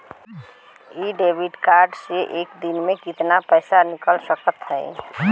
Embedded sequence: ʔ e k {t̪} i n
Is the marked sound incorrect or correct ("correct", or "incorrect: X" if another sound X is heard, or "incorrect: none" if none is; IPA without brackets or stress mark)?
incorrect: d̪